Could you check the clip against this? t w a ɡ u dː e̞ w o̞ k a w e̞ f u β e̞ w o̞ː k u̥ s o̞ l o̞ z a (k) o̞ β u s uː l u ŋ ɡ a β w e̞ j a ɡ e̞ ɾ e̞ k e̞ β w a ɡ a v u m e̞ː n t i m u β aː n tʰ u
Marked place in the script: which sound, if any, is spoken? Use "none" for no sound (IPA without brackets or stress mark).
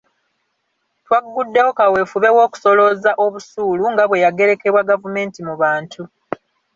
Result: ʔ